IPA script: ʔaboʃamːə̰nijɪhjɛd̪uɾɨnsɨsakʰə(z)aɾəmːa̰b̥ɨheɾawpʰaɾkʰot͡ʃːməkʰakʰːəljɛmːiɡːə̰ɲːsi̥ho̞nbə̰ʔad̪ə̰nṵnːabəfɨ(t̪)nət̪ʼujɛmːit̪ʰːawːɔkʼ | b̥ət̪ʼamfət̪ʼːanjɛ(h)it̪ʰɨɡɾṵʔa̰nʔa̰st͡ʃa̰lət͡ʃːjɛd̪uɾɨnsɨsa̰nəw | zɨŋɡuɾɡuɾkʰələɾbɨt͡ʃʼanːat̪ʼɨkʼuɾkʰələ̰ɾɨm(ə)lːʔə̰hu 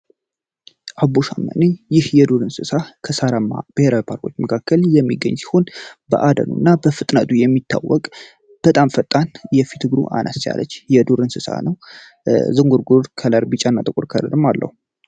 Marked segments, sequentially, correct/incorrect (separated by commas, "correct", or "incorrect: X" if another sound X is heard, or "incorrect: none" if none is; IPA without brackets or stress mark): incorrect: s, incorrect: t̪ʼ, incorrect: f, incorrect: a